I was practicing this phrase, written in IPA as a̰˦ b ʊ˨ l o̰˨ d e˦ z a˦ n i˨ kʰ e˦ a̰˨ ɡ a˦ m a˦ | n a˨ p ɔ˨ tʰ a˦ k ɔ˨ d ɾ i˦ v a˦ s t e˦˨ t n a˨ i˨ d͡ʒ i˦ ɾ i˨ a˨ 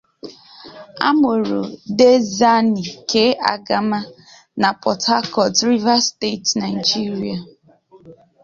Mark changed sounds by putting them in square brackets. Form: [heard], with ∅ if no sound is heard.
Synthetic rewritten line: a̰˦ [m] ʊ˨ [ɾ] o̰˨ d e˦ z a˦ n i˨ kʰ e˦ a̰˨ ɡ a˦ m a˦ | n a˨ p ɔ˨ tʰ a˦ k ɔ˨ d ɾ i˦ v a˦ s t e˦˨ t n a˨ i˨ d͡ʒ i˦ ɾ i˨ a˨